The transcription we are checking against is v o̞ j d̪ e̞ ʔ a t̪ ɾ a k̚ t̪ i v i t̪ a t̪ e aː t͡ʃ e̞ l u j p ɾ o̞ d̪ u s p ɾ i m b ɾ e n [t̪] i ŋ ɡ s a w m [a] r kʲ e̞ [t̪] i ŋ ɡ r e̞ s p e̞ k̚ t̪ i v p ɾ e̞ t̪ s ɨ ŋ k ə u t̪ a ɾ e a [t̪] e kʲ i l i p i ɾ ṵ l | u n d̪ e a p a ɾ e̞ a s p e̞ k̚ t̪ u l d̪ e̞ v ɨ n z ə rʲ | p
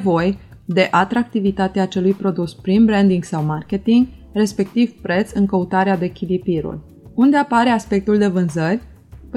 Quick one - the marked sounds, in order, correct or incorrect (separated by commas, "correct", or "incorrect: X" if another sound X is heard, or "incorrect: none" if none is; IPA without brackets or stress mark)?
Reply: incorrect: d̪, correct, correct, incorrect: d̪